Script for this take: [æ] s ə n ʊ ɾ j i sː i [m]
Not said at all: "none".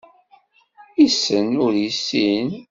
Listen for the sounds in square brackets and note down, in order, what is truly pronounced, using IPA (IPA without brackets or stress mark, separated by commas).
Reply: i, n